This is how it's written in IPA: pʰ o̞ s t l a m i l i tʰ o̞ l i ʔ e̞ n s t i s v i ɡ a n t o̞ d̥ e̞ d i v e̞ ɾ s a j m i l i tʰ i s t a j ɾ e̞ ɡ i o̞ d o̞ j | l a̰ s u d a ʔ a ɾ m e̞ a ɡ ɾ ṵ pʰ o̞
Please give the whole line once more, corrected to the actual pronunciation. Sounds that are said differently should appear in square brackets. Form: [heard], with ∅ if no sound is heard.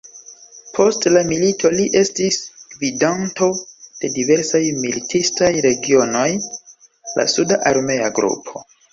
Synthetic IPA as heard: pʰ o̞ s t l a m i l i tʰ o̞ l i ʔ e̞ [∅] s t i s v i [d] a n t o̞ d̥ e̞ d i v e̞ ɾ s a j m i l i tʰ i s t a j ɾ e̞ ɡ i o̞ [n] o̞ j | l a̰ s u d a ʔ a ɾ m e̞ a ɡ ɾ ṵ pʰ o̞